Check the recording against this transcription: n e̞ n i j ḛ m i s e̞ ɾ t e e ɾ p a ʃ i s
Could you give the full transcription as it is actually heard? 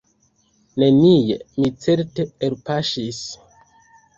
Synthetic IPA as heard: n e̞ n i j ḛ m i t͡s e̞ ɾ t e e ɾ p a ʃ i s